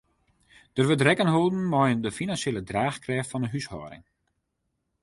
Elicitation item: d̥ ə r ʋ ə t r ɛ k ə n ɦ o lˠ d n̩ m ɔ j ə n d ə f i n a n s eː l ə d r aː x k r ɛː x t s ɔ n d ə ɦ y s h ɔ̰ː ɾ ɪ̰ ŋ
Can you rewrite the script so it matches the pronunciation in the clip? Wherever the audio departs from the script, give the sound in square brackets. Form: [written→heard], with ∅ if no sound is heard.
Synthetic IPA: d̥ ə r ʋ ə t r ɛ k ə n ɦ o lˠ d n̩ m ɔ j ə n d ə f i n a n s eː l ə d r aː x k r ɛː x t [s→f] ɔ n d ə ɦ y s h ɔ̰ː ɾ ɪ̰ ŋ